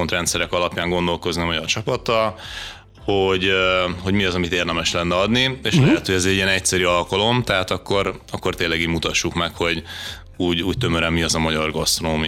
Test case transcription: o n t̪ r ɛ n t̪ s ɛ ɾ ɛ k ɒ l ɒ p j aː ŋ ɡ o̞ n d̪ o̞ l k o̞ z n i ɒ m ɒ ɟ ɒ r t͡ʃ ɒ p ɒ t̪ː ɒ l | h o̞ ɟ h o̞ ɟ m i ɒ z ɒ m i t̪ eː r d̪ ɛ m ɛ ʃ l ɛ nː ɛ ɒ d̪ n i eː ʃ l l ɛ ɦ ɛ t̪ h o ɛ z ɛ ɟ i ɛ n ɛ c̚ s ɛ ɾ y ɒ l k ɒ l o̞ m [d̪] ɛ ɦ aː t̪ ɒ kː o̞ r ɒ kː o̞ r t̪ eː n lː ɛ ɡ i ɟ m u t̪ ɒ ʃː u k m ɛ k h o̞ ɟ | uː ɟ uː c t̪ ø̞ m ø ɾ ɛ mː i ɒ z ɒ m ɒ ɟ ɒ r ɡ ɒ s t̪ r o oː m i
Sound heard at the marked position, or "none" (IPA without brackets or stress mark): t̪